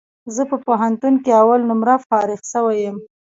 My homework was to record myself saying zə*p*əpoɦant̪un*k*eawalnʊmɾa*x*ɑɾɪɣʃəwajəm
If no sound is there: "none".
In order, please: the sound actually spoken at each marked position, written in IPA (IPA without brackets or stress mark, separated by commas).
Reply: p, k, f